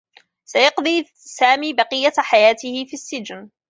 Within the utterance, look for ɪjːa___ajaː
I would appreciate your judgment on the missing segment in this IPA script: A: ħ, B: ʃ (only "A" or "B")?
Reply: A